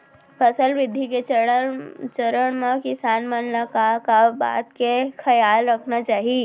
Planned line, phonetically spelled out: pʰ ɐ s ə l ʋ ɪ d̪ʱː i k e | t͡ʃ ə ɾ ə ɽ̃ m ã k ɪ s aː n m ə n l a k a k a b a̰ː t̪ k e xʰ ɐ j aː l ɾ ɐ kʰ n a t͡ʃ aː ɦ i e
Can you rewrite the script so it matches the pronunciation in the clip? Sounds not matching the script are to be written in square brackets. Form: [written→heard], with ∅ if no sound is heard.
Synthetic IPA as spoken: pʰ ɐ s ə l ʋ ɪ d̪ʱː i k e | t͡ʃ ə ɾ ə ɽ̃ m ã k ɪ s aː n m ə n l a k a k a b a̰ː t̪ k e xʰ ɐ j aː l ɾ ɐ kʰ n a t͡ʃ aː ɦ i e